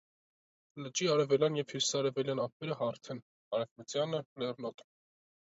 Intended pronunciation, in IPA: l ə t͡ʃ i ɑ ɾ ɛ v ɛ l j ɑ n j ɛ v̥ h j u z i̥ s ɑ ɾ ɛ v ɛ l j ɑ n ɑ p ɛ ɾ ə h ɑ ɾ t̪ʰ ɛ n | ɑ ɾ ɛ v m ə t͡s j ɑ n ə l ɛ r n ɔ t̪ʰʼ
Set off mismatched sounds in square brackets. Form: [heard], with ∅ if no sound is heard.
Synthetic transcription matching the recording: l ə t͡ʃ i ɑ ɾ ɛ v ɛ l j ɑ n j ɛ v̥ h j u [s] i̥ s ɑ ɾ ɛ v ɛ l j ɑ n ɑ p ɛ ɾ ə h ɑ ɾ t̪ʰ ɛ n | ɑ ɾ ɛ v m ə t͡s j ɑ n ə l ɛ r n ɔ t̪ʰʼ